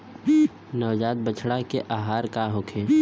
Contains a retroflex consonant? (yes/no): yes